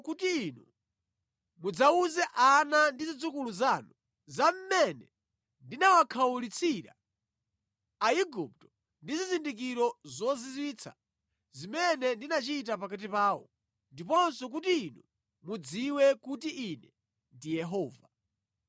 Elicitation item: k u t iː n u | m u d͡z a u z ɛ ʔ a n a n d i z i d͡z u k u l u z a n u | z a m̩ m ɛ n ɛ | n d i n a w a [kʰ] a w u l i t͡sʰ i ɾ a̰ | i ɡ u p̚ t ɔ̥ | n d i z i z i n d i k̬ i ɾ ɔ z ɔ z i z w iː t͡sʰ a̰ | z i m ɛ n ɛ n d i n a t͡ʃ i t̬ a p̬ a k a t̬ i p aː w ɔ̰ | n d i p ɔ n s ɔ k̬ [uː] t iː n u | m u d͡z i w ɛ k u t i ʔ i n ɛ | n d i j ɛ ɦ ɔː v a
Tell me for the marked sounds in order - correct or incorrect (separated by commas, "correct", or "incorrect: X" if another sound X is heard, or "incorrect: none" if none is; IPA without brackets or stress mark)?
correct, incorrect: u